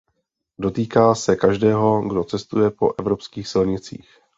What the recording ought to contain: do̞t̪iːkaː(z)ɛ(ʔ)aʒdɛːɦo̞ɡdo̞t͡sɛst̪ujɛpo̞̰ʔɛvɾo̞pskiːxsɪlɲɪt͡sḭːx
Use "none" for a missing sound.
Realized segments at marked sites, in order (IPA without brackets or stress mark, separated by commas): s, k